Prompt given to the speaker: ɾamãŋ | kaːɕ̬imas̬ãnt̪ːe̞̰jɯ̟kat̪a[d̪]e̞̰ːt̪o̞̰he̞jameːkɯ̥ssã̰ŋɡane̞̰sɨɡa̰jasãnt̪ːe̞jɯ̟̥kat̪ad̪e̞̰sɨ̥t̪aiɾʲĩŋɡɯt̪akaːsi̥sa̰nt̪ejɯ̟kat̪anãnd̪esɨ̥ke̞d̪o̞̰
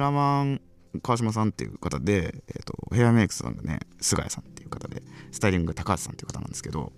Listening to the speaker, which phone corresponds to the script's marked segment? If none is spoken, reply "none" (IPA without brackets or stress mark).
d̪